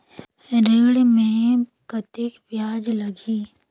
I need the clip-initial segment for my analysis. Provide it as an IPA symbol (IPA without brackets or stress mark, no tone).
ɾ